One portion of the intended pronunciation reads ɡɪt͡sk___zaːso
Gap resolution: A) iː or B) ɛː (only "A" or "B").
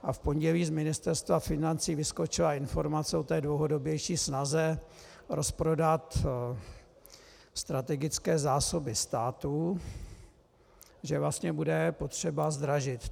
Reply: B